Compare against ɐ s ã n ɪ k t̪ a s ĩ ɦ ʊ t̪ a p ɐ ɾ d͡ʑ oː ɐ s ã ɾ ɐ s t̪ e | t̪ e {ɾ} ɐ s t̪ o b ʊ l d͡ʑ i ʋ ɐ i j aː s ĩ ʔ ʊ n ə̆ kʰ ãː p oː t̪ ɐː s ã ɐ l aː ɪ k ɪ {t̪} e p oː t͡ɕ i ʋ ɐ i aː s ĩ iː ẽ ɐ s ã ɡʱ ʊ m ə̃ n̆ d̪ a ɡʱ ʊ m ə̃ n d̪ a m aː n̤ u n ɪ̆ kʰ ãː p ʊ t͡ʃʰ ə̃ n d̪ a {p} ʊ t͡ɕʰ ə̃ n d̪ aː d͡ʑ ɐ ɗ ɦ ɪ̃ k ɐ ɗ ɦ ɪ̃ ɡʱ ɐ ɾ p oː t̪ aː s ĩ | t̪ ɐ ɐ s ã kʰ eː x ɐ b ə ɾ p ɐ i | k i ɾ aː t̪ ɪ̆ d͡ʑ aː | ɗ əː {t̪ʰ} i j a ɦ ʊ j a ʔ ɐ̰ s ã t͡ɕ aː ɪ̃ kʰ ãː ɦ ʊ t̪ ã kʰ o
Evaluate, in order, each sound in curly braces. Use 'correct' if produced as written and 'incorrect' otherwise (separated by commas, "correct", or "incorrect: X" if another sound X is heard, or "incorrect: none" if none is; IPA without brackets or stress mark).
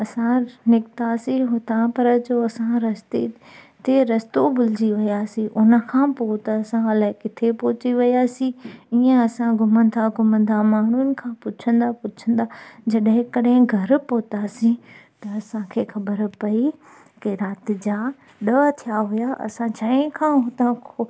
correct, incorrect: t̪ʰ, correct, correct